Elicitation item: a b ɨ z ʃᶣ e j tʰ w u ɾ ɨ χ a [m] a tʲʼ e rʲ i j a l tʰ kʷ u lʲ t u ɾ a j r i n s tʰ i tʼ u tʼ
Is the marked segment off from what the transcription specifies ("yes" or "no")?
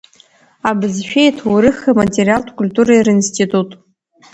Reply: no